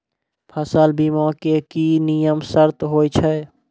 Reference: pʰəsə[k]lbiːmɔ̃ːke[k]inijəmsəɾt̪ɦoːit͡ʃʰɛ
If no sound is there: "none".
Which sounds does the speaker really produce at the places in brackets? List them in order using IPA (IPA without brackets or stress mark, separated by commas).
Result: none, k